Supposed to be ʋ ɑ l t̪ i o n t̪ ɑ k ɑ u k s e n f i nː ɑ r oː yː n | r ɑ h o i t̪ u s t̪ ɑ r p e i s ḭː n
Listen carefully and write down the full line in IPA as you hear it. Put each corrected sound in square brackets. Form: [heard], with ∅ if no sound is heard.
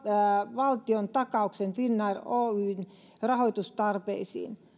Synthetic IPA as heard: ʋ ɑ l t̪ i o n t̪ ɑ k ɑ u k s e n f i nː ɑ r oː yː n | r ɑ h o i t̪ u s t̪ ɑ r p e i s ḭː n